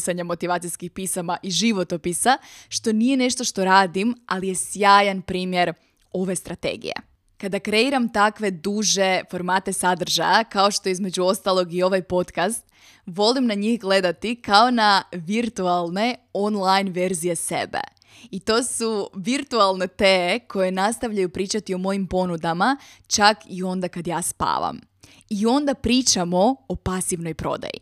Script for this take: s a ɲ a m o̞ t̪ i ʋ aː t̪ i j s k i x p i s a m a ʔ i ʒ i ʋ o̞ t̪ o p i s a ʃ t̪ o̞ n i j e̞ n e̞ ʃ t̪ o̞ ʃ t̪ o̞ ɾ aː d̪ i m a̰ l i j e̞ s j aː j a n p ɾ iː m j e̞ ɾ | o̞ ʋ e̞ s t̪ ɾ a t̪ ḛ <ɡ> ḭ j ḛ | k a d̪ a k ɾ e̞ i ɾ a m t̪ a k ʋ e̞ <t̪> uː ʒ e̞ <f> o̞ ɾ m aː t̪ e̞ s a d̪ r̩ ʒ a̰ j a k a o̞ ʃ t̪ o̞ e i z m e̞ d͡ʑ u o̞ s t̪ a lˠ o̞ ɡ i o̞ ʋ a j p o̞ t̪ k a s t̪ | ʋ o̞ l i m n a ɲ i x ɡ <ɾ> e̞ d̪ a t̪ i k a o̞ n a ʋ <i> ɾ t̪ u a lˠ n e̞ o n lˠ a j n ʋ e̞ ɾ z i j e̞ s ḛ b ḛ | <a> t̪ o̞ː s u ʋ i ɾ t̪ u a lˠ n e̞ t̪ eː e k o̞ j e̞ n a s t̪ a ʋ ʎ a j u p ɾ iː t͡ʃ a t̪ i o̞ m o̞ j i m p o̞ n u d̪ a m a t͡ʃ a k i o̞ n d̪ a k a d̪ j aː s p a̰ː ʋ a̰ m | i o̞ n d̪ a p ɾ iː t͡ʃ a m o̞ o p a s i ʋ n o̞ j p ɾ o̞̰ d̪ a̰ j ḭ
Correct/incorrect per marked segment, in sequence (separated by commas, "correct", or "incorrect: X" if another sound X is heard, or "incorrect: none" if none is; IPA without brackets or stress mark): correct, incorrect: d̪, correct, incorrect: l, correct, incorrect: i